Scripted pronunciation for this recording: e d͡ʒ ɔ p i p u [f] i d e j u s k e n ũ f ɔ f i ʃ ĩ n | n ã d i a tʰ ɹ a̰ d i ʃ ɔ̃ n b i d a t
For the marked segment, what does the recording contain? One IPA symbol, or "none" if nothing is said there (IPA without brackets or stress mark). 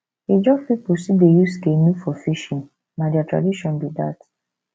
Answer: s